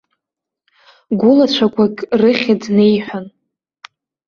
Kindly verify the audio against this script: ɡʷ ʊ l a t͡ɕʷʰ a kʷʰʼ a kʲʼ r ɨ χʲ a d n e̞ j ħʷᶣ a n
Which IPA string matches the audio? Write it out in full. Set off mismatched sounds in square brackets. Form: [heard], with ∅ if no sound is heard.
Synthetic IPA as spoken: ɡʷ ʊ l a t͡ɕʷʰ a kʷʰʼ a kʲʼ r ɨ χʲ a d n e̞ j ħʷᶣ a n